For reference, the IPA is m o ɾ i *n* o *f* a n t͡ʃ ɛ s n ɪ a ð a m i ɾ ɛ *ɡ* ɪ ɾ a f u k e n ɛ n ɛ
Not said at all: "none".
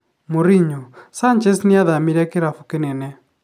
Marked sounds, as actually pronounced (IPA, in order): ɲ, s, k

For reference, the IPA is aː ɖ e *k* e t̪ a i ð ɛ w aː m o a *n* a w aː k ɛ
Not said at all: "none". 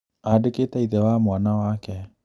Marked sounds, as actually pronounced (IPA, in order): k, n

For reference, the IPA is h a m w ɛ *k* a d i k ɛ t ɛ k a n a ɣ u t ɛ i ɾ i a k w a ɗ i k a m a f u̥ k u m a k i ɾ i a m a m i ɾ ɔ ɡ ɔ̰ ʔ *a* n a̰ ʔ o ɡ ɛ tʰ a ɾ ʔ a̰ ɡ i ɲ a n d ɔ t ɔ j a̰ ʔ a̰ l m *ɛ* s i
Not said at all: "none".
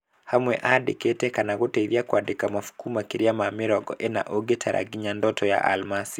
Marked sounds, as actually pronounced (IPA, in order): ʔ, ɛ, a

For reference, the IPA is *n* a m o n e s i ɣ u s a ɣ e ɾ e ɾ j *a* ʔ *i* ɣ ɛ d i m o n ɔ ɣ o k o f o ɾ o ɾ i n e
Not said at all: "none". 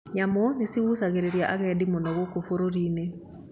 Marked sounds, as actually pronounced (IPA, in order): ɲ, a, a

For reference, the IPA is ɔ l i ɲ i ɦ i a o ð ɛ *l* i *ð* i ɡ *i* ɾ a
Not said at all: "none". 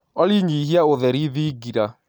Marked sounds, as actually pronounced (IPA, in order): ɾ, ð, i

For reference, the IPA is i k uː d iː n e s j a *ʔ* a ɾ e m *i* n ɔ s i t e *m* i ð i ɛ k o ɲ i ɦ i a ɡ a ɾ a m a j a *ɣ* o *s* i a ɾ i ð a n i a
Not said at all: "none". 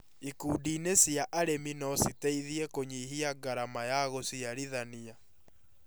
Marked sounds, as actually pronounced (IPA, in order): ʔ, i, none, ɣ, s

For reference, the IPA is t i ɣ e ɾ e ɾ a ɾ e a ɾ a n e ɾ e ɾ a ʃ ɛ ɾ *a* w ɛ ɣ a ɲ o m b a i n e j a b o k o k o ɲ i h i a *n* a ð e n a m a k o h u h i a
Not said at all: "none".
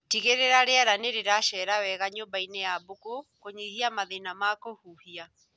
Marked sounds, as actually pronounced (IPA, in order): a, m

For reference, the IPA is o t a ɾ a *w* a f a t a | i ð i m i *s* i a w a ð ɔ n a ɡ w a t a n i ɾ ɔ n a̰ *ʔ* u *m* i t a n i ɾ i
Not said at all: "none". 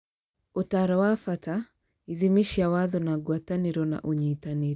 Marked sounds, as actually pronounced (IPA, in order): w, ʃ, ʔ, ɲ

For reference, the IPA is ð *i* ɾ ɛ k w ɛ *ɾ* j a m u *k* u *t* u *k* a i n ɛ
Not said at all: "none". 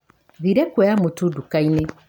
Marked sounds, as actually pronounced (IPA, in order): i, none, t, d, k

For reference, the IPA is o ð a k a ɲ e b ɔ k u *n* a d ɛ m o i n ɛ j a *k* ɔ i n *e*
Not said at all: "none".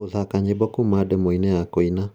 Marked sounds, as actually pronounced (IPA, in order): m, k, a

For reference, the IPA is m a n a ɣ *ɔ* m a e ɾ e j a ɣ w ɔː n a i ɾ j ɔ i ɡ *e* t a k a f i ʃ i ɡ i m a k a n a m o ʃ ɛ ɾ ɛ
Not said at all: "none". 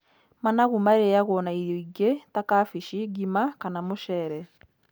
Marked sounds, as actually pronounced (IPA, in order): u, e

